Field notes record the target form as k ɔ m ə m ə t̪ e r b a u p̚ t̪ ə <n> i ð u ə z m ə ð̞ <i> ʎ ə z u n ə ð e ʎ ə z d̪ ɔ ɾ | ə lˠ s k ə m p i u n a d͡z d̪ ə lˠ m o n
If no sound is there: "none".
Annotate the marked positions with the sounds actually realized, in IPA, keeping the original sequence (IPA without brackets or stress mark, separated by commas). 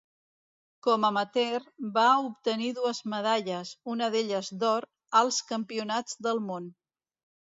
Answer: n, a